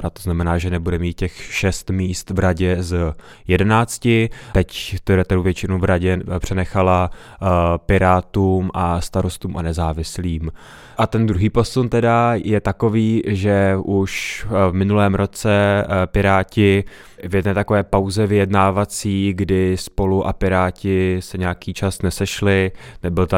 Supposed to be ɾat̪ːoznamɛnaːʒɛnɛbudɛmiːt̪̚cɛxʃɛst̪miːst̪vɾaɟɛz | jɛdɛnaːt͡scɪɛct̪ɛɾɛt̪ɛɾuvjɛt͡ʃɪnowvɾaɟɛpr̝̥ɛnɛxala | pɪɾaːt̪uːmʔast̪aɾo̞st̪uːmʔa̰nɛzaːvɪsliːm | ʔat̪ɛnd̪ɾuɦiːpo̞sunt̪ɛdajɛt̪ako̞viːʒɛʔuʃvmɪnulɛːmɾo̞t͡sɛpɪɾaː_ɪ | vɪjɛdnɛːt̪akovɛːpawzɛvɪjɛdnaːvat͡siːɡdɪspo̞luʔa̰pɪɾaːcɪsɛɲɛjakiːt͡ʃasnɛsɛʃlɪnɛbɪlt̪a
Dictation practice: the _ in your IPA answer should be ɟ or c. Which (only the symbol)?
c